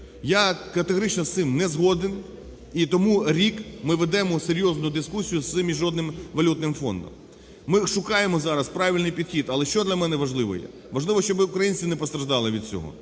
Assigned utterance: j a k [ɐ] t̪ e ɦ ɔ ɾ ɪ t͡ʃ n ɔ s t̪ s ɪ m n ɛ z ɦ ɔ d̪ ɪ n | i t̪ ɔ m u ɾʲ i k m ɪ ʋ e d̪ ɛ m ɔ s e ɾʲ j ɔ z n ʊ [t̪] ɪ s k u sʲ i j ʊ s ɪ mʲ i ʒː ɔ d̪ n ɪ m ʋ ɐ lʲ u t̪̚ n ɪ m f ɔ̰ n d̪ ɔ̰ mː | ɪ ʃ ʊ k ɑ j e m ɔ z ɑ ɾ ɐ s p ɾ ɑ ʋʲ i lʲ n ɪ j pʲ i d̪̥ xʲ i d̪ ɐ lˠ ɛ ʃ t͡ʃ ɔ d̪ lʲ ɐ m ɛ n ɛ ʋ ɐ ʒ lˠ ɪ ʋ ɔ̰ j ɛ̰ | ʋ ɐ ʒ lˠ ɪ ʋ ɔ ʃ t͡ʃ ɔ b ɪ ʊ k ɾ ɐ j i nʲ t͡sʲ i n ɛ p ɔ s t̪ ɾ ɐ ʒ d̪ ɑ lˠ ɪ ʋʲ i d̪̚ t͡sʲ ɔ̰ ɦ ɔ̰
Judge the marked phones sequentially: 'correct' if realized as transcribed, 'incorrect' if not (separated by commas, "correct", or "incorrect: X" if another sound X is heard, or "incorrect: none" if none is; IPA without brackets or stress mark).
correct, incorrect: d̪